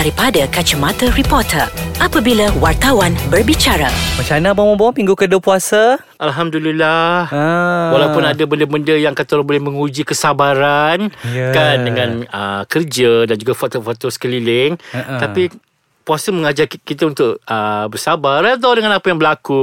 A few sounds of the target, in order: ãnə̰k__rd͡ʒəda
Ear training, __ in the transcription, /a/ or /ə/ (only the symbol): ə